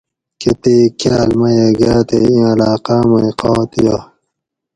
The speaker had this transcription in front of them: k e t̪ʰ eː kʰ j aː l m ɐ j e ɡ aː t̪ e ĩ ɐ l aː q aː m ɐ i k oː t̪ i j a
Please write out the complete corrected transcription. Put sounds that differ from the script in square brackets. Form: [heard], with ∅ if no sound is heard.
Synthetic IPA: k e [t̪] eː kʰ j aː l m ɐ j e ɡ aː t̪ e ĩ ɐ l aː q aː m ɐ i [q] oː t̪ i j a